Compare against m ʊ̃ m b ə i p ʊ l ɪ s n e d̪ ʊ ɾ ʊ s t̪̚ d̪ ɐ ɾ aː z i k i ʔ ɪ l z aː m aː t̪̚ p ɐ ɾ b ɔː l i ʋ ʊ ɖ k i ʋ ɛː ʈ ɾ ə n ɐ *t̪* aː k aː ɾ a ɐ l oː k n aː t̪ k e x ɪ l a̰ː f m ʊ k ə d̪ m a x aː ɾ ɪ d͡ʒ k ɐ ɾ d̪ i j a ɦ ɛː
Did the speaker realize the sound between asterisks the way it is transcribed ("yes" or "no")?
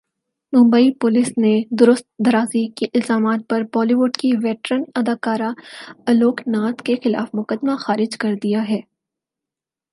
no